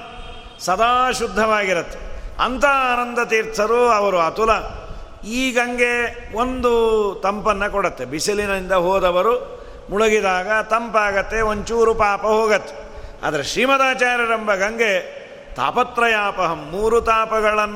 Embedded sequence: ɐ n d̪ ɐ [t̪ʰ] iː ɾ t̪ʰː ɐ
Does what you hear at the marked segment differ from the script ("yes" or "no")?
yes